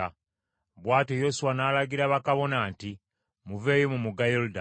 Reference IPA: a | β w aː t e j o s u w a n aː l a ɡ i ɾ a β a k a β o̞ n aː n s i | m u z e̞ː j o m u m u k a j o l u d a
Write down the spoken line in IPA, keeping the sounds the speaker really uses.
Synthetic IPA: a | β w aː t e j o s u w a n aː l a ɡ i ɾ a β a k a β o̞ n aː n t i | m u v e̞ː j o m u m u ɡ a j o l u d a